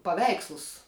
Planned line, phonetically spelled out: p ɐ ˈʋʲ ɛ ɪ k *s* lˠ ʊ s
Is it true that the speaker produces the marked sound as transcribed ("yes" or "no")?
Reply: yes